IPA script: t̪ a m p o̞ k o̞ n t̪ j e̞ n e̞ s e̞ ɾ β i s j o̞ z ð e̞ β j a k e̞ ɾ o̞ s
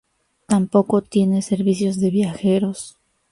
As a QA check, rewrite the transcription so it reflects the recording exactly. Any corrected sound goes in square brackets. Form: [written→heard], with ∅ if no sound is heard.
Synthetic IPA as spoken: t̪ a m p o̞ k o̞ [n→∅] t̪ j e̞ n e̞ s e̞ ɾ β i s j o̞ z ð e̞ β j a [k→x] e̞ ɾ o̞ s